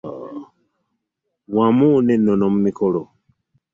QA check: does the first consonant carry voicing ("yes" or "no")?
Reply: yes